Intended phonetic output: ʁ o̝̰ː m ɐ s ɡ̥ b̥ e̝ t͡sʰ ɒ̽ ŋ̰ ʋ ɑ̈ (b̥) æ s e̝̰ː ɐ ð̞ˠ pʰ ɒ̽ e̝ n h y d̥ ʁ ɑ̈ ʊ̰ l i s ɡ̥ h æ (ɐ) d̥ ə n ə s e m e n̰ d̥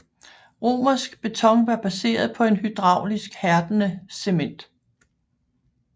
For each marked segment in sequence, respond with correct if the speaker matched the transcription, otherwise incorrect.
correct, correct

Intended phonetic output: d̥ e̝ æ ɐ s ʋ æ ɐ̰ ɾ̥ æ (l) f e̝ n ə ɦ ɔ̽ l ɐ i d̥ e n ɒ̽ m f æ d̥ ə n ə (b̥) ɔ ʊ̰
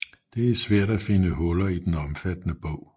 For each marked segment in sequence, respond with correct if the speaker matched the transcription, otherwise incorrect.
incorrect, correct

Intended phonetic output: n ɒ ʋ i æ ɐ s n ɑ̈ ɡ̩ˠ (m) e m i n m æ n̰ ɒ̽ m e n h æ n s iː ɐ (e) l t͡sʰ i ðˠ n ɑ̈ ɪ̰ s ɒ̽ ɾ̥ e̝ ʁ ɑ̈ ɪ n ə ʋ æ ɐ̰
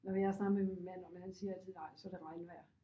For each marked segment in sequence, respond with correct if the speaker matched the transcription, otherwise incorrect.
correct, incorrect

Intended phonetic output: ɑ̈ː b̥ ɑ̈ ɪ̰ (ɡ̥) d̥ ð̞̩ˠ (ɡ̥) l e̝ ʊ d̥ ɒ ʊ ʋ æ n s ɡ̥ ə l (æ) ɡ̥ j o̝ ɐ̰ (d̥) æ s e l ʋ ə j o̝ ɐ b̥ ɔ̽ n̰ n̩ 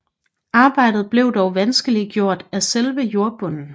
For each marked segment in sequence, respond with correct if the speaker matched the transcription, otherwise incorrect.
incorrect, incorrect, incorrect, correct

